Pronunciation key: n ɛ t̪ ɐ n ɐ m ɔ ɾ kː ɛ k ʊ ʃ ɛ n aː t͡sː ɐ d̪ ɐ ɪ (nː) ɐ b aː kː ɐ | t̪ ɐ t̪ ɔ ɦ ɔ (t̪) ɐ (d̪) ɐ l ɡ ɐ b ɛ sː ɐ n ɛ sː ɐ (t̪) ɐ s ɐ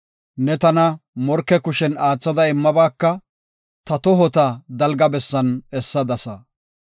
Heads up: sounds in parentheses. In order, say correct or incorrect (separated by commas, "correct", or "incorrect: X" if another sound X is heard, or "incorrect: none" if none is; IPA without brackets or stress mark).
incorrect: mː, correct, correct, incorrect: d̪